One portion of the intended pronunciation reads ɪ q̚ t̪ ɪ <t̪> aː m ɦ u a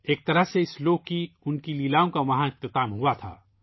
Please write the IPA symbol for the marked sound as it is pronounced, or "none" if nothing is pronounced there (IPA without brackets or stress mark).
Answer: t̪